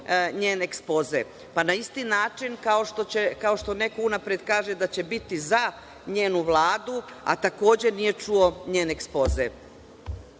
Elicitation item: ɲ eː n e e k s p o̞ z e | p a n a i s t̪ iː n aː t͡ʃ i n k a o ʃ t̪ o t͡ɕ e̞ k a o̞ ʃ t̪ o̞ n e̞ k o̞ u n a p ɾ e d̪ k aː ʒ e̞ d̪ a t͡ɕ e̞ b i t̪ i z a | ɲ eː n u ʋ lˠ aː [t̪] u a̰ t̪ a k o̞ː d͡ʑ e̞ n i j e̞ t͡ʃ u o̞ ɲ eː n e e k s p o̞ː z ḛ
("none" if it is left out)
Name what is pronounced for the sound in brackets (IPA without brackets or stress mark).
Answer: d̪